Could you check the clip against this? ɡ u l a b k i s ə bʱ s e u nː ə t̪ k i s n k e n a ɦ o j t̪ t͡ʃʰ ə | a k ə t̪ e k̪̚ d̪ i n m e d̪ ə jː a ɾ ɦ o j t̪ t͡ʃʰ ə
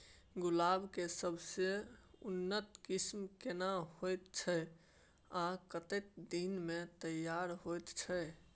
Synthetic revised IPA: ɡ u l a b k e s ə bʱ s e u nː ə t̪ k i s m k e n a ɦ o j t̪ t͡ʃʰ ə | a k ə t̪ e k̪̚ d̪ i n m e t̪ ə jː a ɾ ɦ o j t̪ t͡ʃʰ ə